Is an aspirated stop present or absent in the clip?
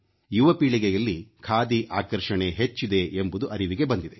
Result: present